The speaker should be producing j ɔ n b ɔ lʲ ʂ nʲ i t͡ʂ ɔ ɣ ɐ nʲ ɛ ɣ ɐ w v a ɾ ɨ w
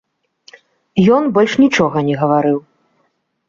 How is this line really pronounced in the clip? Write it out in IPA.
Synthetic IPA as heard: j ɔ n b ɔ lʲ ʂ nʲ i t͡ʂ ɔ ɣ ɐ nʲ ɛ ɣ ɐ v a ɾ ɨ w